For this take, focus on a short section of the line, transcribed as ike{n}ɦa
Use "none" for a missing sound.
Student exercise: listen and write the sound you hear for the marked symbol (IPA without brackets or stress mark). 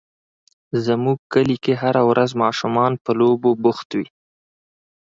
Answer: none